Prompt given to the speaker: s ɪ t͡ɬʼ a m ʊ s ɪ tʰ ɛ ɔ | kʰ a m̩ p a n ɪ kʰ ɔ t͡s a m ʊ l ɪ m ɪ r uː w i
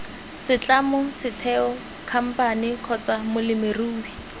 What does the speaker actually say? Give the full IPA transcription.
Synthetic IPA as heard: s ɪ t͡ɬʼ a m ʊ s ɪ tʰ ɛ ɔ | kʰ a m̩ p a n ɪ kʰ ɔ t͡s a m ʊ l ɪ m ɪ r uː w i